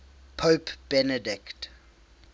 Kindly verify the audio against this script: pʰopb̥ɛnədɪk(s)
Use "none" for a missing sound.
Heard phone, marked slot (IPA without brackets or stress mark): t